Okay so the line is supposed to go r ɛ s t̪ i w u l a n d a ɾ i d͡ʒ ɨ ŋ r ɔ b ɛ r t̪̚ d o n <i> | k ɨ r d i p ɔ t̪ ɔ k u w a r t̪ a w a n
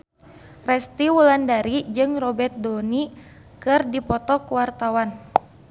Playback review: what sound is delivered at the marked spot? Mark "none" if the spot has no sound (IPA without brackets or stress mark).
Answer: i